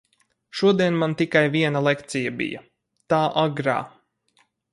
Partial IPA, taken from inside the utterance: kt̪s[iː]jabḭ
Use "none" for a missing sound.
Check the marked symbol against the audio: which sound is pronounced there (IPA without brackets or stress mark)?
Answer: i